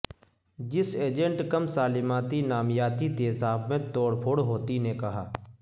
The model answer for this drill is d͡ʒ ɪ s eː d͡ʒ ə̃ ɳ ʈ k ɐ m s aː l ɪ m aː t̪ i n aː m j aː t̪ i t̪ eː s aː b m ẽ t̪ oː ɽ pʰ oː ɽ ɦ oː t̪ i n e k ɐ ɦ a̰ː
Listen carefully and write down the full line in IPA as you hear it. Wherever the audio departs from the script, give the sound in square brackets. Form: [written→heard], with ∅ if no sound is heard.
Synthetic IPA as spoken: d͡ʒ ɪ s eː d͡ʒ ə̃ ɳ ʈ k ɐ m s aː l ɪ m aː t̪ i n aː m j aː t̪ i t̪ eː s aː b m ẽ t̪ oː ɽ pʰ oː ɽ ɦ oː t̪ i n e k ɐ ɦ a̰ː

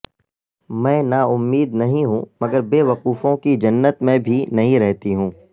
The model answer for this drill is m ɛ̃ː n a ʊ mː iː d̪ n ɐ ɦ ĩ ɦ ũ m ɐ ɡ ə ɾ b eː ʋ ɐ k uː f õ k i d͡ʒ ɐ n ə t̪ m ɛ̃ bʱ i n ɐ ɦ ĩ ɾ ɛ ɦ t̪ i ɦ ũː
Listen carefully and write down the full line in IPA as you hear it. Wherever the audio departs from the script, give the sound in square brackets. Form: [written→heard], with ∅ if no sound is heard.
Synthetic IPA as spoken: m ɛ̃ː n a ʊ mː iː d̪ n ɐ ɦ ĩ ɦ ũ m ɐ ɡ ə ɾ b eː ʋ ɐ [k→q] uː f õ k i d͡ʒ ɐ [n→nː] ə t̪ m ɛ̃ bʱ i n ɐ ɦ ĩ ɾ ɛ ɦ t̪ i ɦ ũː

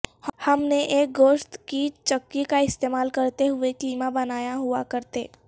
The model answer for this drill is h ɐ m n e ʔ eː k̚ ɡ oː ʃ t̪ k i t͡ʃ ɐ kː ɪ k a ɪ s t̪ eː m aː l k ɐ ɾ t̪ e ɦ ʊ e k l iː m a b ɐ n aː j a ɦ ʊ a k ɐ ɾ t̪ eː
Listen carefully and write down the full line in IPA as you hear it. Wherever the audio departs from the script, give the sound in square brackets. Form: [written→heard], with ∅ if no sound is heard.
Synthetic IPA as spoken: h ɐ m n e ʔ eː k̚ ɡ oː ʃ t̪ k i t͡ʃ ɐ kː [ɪ→i] k a ɪ s t̪ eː m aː l k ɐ ɾ t̪ e ɦ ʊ e k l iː m a b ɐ n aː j a ɦ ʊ a k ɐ ɾ t̪ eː

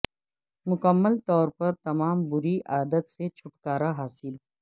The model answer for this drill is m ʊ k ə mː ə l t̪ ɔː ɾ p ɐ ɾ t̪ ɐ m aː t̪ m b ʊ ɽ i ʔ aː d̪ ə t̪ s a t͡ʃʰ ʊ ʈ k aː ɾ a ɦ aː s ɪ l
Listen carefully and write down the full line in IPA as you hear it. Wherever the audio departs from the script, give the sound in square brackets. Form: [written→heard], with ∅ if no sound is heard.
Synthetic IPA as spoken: m ʊ k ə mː ə l t̪ ɔː ɾ p ɐ ɾ t̪ ɐ m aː [t̪→∅] m b ʊ [ɽ→ɾ] i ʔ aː d̪ ə t̪ s [a→e] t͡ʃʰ ʊ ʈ k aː ɾ a ɦ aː s ɪ l

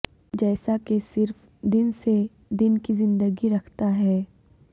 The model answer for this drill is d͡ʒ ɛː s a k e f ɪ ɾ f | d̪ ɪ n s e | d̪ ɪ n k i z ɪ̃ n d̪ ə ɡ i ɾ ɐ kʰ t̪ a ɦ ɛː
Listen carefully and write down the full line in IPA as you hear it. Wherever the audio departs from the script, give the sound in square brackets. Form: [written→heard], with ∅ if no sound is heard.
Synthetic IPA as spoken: d͡ʒ ɛː s a k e [f→s] ɪ ɾ f | d̪ ɪ n s e | d̪ ɪ n k i z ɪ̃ n d̪ ə ɡ i ɾ ɐ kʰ t̪ a ɦ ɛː

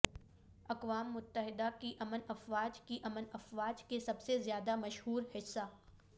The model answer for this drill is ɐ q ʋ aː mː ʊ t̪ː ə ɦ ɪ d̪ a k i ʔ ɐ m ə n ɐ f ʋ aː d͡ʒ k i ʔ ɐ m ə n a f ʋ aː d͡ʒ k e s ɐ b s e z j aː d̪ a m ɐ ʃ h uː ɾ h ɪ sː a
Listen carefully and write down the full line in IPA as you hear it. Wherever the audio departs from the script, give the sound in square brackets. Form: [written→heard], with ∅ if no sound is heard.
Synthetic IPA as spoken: ɐ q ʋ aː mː ʊ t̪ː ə ɦ ɪ d̪ a k i ʔ ɐ m ə n ɐ f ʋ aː d͡ʒ k i ʔ ɐ m ə n [a→ɐ] f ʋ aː d͡ʒ k e s ɐ b s e z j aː d̪ a m ɐ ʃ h uː ɾ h ɪ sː a

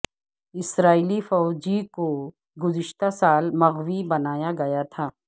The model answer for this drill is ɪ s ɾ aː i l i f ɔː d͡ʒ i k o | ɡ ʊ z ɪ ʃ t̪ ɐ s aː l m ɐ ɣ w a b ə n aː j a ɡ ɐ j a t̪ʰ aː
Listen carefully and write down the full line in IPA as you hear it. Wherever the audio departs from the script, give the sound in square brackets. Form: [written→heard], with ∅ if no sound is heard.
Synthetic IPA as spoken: ɪ s ɾ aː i l i f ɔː d͡ʒ i k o | ɡ ʊ z ɪ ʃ t̪ [ɐ→a] s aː l m ɐ ɣ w [a→i] b [ə→ɐ] n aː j a ɡ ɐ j a t̪ʰ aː

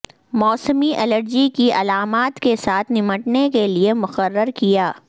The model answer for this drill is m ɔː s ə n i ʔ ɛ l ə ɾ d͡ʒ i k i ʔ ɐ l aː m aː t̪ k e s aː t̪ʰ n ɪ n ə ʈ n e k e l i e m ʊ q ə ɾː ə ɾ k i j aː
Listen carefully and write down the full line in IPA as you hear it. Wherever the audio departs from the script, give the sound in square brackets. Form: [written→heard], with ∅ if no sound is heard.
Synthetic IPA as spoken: m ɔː s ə [n→m] i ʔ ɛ l ə ɾ d͡ʒ i k i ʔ ɐ l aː m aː t̪ k e s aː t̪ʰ n ɪ [n→m] ə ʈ n e k e l i e m ʊ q ə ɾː ə ɾ k i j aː

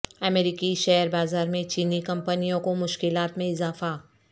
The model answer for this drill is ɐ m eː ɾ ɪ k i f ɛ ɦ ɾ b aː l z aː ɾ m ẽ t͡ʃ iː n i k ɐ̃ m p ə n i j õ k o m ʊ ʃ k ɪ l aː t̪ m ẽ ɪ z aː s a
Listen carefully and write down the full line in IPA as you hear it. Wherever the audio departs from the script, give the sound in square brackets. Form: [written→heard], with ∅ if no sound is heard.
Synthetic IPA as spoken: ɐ m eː ɾ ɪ k i [f→ʃ] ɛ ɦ ɾ b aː [l→∅] z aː ɾ m ẽ t͡ʃ iː n i k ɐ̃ m p ə n i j õ k o m ʊ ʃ k ɪ l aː t̪ m ẽ ɪ z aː [s→f] a

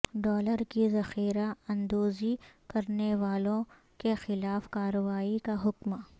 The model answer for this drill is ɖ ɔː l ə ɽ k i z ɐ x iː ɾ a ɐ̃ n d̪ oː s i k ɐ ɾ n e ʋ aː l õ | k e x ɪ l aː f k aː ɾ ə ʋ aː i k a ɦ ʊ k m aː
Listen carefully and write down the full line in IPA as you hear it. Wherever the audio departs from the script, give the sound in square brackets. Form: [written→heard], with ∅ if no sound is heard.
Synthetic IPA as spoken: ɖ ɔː l ə [ɽ→ɾ] k i z ɐ x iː ɾ a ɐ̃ n d̪ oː [s→z] i k ɐ ɾ n e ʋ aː l õ | k e x ɪ l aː f k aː ɾ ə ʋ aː i k a ɦ ʊ k m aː

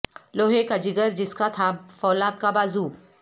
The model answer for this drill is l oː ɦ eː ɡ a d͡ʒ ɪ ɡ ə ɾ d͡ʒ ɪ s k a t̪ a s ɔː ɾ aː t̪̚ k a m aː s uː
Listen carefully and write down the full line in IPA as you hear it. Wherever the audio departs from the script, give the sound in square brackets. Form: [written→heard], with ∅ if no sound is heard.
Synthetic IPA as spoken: l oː ɦ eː [ɡ→k] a d͡ʒ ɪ ɡ ə ɾ d͡ʒ ɪ s k a [t̪→t̪ʰ] a [s→f] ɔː [ɾ→l] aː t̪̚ k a [m→b] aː [s→z] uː

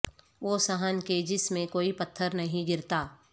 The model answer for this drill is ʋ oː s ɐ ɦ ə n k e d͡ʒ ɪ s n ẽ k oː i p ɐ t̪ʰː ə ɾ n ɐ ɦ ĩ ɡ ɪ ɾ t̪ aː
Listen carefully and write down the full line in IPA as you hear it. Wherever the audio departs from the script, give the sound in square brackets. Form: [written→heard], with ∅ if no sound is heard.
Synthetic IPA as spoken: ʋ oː s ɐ ɦ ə n k e d͡ʒ ɪ s [n→m] ẽ k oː i p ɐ t̪ʰː ə ɾ n ɐ ɦ ĩ ɡ ɪ ɾ t̪ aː

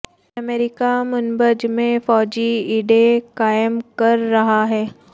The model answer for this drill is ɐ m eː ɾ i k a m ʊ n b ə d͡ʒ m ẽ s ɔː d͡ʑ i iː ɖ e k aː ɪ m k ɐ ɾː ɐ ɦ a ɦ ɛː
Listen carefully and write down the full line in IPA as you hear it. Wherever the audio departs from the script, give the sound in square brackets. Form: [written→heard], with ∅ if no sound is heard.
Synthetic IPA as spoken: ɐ m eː ɾ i k a m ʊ n b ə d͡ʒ m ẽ [s→f] ɔː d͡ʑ i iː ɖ e k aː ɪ m k ɐ ɾː ɐ ɦ a ɦ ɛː

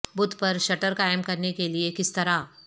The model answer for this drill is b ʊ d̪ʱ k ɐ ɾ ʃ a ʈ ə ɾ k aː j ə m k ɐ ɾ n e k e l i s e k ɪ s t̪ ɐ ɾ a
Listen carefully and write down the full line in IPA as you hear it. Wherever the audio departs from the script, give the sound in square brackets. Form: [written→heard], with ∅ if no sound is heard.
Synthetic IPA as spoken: b ʊ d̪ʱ [k→p] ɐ ɾ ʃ [a→ɐ] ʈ ə ɾ k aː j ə m k ɐ ɾ n e k e l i [s→∅] e k ɪ s t̪ ɐ ɾ a

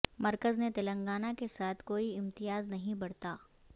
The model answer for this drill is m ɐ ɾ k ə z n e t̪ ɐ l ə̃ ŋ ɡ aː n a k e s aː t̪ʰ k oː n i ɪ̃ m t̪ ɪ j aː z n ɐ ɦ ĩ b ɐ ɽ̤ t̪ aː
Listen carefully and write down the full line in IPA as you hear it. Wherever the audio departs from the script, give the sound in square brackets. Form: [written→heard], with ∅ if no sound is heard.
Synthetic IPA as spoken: m ɐ ɾ k ə z n e t̪ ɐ l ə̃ ŋ ɡ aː n a k e s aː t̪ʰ k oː [n→∅] i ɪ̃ m t̪ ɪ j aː z n ɐ ɦ ĩ b ɐ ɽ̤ t̪ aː

